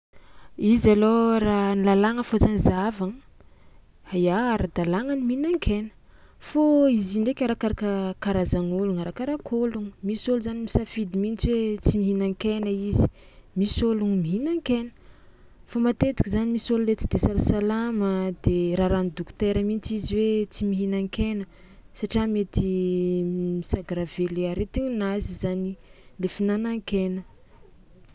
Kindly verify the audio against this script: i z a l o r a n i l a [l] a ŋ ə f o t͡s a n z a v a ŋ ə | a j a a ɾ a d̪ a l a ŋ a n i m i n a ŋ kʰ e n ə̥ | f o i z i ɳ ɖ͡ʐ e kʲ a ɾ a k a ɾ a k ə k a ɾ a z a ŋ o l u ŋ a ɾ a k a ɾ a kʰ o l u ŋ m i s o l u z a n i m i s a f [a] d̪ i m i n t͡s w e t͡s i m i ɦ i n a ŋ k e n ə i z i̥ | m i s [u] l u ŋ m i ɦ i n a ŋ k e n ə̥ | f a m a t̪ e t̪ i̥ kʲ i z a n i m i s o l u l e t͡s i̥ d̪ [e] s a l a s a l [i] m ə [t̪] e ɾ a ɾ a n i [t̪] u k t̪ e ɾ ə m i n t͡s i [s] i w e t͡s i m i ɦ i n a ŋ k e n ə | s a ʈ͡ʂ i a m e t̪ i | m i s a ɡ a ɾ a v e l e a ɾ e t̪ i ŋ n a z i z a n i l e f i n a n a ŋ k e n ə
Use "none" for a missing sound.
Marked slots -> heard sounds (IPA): l, i, o, e, a, d̪, d̪, z

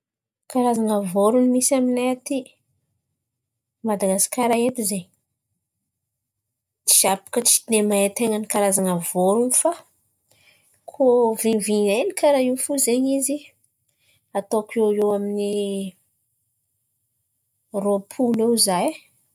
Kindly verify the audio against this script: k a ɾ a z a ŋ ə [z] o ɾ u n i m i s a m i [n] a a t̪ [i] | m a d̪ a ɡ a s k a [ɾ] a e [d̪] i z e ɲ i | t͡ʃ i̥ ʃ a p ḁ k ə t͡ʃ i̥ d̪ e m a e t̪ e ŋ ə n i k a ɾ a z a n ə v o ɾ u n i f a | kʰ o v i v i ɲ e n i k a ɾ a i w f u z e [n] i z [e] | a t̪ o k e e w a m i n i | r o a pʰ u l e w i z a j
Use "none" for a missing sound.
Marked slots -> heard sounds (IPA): v, n, i, ɾ, t̪, ɲ, i

